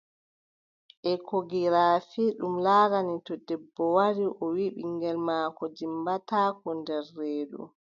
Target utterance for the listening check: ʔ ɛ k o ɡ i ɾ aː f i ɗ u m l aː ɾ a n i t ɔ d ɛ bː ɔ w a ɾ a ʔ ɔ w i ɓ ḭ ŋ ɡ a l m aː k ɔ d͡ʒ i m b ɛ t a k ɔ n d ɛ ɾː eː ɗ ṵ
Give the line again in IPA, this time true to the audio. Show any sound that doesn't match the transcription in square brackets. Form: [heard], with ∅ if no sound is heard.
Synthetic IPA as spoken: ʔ ɛ k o ɡ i ɾ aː f i ɗ u m l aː ɾ a n i t ɔ d ɛ bː ɔ w a ɾ [i] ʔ ɔ w i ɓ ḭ ŋ ɡ [ɛ] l m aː k ɔ d͡ʒ i m b [a] t a k ɔ n d ɛ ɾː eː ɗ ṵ